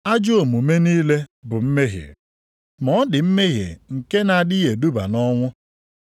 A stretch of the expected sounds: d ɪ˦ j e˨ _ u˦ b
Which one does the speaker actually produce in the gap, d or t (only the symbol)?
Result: d